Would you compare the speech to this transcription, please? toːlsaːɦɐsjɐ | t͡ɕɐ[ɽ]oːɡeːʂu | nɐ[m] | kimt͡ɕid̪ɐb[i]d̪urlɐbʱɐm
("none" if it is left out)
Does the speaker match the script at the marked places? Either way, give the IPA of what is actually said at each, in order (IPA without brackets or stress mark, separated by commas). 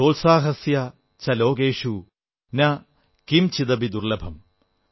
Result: l, none, i